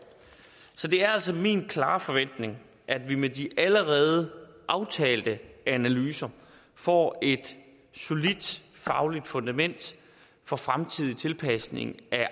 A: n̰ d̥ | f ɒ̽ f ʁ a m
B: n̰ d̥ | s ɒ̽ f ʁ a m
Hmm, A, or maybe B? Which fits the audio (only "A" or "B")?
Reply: A